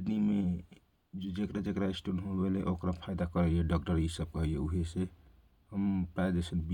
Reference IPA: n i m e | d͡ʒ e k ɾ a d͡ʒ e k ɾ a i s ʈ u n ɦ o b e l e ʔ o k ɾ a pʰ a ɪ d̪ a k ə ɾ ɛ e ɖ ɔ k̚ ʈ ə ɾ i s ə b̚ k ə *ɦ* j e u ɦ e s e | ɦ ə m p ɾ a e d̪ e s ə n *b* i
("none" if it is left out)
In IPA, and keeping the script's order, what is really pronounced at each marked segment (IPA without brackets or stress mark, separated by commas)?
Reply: ɦ, b